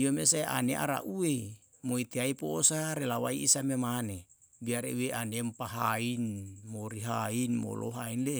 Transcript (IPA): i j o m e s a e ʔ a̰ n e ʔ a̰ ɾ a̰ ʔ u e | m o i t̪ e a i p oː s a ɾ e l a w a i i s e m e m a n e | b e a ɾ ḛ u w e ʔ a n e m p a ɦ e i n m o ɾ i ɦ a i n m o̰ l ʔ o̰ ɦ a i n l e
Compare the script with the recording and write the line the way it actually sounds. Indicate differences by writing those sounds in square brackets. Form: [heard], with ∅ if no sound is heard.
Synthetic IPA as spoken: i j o m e s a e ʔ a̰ n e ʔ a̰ ɾ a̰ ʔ u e | m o i t̪ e a i p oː s a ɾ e l a w a i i s [a] m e m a n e | b [i] a ɾ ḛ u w e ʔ a n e m p a ɦ [a] i n m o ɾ i ɦ a i n m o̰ l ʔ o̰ ɦ a i n l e